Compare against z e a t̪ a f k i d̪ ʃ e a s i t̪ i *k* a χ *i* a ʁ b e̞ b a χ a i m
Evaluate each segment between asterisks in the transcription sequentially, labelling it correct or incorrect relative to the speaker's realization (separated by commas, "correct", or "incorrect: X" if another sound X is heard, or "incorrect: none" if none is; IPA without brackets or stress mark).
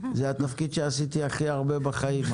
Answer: incorrect: none, correct